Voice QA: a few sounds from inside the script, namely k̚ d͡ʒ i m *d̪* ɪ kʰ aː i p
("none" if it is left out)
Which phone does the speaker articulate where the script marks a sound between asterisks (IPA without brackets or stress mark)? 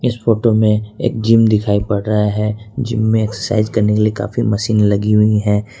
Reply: d̪